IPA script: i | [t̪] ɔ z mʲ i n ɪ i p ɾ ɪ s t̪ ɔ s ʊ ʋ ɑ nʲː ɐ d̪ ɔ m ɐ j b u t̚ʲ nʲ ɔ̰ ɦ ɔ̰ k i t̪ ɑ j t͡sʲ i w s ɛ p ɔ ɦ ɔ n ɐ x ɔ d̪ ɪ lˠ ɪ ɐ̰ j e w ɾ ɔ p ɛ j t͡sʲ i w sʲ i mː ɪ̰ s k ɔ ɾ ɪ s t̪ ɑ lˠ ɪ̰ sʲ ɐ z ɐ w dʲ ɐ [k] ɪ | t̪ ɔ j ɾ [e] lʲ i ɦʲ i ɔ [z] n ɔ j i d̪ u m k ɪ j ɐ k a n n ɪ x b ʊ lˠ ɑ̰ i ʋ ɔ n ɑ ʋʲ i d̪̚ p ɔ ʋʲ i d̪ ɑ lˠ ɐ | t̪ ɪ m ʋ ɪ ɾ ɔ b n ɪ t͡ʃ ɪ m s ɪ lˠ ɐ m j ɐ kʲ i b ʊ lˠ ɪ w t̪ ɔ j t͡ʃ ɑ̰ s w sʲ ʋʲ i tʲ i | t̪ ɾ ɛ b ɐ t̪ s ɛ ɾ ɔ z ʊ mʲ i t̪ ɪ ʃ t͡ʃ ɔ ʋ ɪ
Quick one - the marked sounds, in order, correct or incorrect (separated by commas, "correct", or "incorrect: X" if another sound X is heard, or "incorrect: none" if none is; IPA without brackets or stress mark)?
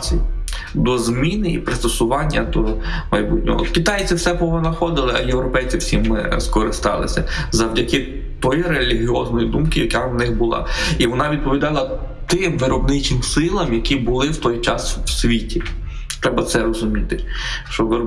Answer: incorrect: d̪, correct, correct, correct